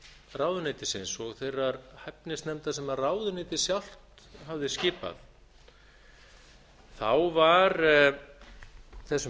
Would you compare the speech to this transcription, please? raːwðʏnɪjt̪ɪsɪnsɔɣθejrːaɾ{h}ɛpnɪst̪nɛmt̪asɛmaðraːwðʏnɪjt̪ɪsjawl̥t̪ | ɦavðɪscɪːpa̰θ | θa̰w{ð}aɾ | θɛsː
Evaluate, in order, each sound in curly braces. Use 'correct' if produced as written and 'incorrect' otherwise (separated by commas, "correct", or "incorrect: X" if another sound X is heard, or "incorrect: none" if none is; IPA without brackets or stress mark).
correct, incorrect: v